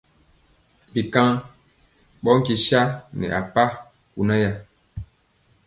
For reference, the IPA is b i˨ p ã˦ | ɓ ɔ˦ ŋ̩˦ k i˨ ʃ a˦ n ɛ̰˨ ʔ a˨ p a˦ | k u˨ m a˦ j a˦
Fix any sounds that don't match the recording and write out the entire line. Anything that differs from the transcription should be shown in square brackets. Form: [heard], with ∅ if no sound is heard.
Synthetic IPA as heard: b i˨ [k] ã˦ | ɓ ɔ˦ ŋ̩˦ k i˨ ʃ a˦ n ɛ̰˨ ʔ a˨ p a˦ | k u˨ [n] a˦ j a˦